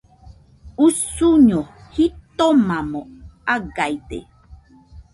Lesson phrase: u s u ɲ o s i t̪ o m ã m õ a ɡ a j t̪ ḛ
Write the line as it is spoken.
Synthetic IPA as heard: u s u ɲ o h i t̪ o m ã m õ a ɡ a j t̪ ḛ